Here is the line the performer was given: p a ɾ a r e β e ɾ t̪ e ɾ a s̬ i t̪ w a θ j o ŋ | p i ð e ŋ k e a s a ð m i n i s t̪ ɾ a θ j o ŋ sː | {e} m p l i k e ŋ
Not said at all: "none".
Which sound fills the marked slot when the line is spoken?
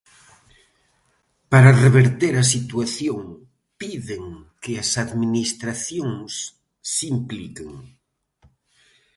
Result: i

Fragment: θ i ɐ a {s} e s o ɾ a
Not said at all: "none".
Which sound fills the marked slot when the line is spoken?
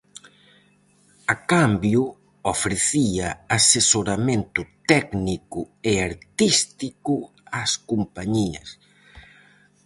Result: s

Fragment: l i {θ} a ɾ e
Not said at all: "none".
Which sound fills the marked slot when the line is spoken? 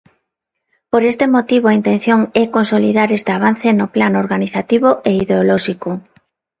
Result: ð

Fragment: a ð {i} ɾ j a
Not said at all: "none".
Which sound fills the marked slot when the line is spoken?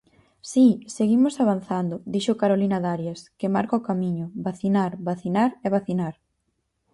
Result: a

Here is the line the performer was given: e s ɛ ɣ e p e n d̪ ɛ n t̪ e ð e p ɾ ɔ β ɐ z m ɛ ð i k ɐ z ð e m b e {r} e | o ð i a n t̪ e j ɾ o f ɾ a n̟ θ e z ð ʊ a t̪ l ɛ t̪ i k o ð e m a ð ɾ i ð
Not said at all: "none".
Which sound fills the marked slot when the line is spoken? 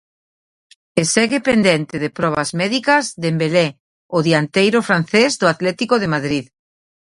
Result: l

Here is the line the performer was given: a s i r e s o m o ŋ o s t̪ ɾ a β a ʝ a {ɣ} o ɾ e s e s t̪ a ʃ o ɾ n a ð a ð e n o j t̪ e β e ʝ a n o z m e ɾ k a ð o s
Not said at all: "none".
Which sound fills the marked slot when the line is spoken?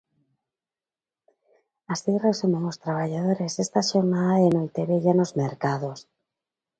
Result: ð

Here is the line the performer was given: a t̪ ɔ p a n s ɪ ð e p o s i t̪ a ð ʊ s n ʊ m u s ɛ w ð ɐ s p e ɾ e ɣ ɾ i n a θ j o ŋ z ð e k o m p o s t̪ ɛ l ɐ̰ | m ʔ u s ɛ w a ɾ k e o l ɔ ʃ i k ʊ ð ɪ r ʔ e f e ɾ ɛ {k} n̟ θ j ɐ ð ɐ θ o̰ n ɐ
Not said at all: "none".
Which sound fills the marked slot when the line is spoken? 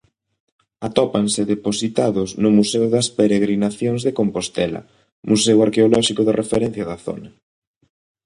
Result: none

